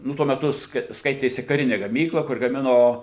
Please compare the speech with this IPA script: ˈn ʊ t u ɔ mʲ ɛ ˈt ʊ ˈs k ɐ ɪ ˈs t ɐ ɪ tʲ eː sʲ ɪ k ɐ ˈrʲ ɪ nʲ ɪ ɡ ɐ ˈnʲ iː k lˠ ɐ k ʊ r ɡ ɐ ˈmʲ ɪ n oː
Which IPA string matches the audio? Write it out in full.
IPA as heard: ˈn ʊ t u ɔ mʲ ɛ ˈt ʊ ˈs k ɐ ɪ ˈs k ɐ ɪ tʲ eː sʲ ɪ k ɐ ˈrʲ ɪ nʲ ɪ ɡ ɐ ˈmʲ iː k lˠ ɐ k ʊ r ɡ ɐ ˈmʲ ɪ n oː